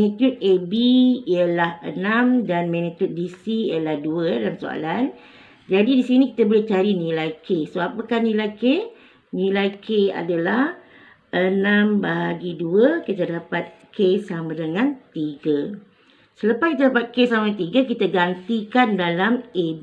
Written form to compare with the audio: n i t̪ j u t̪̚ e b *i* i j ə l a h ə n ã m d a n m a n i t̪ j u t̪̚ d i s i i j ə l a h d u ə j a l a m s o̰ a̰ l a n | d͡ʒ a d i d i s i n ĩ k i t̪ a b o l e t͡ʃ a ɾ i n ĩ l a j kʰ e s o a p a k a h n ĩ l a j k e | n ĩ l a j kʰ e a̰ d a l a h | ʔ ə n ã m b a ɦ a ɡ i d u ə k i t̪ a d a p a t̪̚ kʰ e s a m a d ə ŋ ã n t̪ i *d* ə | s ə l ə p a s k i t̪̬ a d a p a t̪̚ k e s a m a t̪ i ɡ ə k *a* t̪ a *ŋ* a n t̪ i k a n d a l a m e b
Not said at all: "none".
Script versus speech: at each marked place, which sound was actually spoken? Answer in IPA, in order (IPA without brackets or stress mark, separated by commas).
i, ɡ, i, ɡ